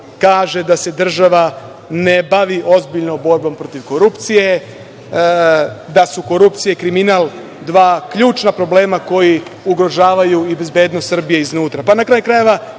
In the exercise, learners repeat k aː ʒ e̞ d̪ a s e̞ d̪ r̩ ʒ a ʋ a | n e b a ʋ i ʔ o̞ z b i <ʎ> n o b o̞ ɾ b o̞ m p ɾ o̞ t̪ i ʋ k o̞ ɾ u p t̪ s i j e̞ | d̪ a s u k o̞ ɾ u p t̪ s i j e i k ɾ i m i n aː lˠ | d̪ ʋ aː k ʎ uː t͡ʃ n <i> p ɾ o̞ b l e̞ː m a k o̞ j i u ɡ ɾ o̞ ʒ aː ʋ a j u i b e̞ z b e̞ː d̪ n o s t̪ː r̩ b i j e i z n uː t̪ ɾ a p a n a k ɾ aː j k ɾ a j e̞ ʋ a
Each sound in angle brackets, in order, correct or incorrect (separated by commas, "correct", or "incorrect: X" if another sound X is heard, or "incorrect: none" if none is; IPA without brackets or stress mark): correct, incorrect: a